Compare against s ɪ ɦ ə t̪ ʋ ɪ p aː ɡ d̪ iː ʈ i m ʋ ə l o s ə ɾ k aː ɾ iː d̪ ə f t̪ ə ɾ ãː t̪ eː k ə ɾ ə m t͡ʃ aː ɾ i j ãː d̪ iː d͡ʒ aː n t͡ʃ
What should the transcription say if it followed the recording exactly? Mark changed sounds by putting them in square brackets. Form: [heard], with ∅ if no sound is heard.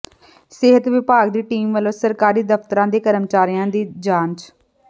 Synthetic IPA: s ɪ ɦ ə t̪ ʋ ɪ p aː ɡ d̪ iː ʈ [iː] m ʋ ə l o s ə ɾ k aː ɾ iː d̪ ə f t̪ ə ɾ ãː [d̪] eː k ə ɾ ə m t͡ʃ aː ɾ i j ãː d̪ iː d͡ʒ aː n t͡ʃ